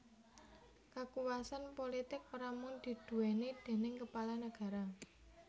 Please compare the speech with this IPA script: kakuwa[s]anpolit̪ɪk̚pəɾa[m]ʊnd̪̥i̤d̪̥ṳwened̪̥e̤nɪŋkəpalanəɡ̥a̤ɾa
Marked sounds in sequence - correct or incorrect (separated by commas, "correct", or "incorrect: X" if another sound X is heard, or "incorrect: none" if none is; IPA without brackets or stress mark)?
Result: correct, correct